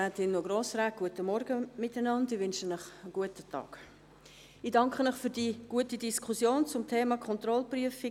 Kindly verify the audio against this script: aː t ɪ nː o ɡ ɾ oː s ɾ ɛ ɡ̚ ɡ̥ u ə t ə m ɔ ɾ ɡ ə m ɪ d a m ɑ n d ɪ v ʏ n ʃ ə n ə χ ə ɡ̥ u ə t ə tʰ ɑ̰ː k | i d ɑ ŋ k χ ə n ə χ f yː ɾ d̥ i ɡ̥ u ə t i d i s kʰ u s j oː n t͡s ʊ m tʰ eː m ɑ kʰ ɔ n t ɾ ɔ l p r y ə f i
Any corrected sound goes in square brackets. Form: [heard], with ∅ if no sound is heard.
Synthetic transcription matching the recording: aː t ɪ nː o ɡ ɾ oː s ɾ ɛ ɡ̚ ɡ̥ u ə t ə m ɔ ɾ ɡ ə m ɪ [t] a [n] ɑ n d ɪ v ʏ n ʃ ə n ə χ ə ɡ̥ u ə t ə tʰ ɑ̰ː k | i d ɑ ŋ k χ ə n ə χ f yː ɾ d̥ i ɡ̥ u ə t i d i s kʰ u s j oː n t͡s ʊ m tʰ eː m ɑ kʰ ɔ n t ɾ ɔ l p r y ə f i